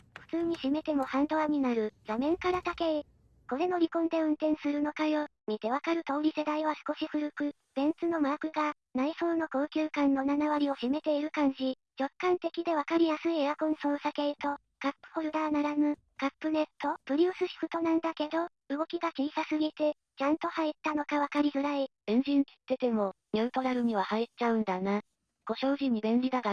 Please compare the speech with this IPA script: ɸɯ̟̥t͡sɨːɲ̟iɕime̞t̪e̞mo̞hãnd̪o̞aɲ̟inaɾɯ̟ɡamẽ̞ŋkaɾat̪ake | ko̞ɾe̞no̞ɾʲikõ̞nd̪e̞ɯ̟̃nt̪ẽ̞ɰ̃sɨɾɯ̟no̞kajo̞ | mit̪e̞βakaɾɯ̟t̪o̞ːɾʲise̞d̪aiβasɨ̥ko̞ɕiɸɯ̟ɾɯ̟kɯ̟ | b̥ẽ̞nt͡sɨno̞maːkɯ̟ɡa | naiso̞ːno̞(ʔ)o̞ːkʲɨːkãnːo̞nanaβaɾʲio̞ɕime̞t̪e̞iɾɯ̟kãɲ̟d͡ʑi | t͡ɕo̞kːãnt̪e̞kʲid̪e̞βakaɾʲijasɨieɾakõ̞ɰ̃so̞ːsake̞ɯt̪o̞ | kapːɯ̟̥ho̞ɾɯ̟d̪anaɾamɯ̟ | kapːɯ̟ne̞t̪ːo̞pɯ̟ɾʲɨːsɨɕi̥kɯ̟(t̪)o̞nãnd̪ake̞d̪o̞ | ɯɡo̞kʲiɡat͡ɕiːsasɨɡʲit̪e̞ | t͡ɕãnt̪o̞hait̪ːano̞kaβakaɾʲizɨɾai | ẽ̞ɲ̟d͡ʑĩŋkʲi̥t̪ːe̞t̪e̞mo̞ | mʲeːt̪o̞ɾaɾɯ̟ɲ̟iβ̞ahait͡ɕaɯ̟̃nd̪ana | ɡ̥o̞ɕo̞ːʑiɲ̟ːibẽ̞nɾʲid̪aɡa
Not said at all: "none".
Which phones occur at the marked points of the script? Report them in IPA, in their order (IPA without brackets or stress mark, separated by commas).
k, t̪